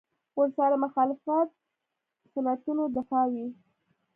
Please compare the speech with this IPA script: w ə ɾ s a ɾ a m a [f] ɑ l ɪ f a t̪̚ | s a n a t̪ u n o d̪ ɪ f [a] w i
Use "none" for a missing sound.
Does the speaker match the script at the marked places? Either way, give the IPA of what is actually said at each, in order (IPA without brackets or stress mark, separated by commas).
x, ɑ